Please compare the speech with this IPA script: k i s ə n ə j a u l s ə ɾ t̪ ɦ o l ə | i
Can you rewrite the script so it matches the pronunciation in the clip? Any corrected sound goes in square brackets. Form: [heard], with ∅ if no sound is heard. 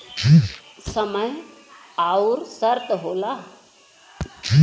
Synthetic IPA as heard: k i s ə [m] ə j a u [ɾ] s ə ɾ t̪ ɦ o l [a] | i